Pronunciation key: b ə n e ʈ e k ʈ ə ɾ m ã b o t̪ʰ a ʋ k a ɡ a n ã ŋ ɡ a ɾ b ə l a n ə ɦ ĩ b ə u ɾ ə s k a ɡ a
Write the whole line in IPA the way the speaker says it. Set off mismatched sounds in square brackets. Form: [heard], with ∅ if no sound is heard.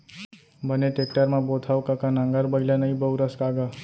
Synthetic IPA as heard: b ə n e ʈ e k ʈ ə ɾ m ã b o t̪ʰ a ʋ k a [k] a n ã ŋ ɡ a ɾ b ə l a n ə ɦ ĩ b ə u ɾ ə s k a ɡ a